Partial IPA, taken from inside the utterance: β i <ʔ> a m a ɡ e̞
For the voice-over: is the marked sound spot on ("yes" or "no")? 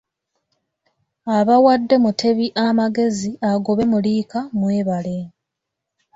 yes